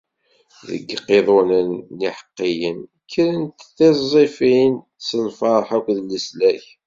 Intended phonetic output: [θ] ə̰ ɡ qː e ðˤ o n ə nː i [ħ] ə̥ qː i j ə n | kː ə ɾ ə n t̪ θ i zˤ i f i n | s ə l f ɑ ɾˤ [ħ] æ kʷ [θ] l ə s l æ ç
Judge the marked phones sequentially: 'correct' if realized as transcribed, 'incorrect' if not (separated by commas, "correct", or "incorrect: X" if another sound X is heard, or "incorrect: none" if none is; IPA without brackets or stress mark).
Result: incorrect: ð, correct, correct, incorrect: ð